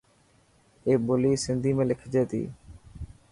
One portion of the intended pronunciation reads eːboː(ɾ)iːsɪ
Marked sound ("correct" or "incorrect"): incorrect